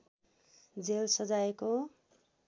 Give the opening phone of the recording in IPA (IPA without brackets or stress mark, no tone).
d͡z